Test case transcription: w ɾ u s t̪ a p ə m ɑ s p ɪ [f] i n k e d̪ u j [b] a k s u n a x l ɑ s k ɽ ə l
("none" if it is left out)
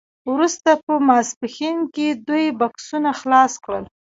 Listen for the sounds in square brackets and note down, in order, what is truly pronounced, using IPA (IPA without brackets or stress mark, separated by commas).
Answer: x, b